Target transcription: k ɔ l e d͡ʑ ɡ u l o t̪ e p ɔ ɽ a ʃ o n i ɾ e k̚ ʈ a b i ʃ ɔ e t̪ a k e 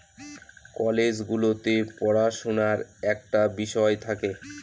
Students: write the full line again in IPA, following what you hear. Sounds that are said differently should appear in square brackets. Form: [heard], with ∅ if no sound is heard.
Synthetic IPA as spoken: k ɔ l e d͡ʑ ɡ u l o t̪ e p ɔ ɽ a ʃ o n [a] ɾ [ɛ] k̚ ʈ a b i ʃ ɔ e [t̪ʰ] a k e